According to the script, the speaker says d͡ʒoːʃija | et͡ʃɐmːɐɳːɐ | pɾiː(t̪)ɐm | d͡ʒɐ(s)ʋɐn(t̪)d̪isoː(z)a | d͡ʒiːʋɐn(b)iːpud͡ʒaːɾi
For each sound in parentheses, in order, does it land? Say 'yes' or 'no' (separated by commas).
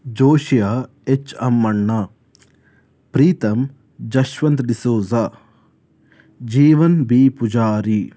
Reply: yes, no, yes, yes, yes